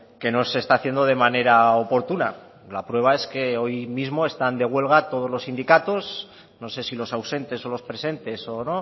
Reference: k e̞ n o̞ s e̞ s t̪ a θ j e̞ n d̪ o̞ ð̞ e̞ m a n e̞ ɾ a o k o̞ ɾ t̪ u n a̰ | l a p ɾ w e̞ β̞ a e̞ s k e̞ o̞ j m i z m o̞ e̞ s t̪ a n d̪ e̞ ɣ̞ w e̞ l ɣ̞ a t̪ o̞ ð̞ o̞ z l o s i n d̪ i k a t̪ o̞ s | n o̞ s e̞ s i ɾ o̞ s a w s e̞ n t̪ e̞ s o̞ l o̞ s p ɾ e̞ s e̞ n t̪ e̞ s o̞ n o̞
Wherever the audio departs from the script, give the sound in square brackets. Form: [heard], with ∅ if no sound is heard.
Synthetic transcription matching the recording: k e̞ n o̞ s e̞ s t̪ a θ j e̞ n d̪ o̞ ð̞ e̞ m a n e̞ ɾ a o [p] o̞ ɾ t̪ u n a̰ | l a p ɾ w e̞ β̞ a e̞ s k e̞ o̞ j m i z m o̞ e̞ s t̪ a n d̪ e̞ ɣ̞ w e̞ l ɣ̞ a t̪ o̞ ð̞ o̞ z l o s i n d̪ i k a t̪ o̞ s | n o̞ s e̞ s i [l] o̞ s a w s e̞ n t̪ e̞ s o̞ l o̞ s p ɾ e̞ s e̞ n t̪ e̞ s o̞ n o̞